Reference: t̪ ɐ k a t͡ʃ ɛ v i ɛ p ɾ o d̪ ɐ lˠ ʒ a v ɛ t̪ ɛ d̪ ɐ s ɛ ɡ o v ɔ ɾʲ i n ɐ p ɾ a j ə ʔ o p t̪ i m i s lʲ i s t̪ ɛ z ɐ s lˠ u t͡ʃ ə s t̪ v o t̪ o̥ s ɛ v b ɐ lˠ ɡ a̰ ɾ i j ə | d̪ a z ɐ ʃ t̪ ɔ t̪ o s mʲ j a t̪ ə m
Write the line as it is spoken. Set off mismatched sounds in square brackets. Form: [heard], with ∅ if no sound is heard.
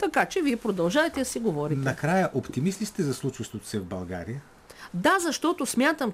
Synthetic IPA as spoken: t̪ ɐ k a t͡ʃ ɛ v i ɛ p ɾ o d̪ ɐ lˠ ʒ a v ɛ t̪ ɛ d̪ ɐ s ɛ ɡ o v ɔ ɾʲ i n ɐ [k] ɾ a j ə ʔ o p t̪ i m i s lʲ i s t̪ ɛ z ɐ s lˠ u t͡ʃ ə s t̪ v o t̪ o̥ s ɛ v b ɐ lˠ ɡ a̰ ɾ i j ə | d̪ a z ɐ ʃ t̪ ɔ t̪ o s mʲ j a t̪ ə m